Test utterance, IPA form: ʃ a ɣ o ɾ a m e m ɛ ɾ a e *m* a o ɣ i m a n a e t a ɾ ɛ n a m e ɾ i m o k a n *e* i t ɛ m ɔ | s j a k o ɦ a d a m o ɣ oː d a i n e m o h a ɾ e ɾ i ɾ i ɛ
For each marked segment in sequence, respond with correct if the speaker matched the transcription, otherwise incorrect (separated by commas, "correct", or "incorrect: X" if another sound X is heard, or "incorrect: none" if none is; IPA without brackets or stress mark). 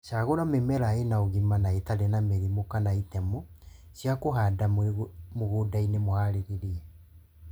incorrect: n, incorrect: a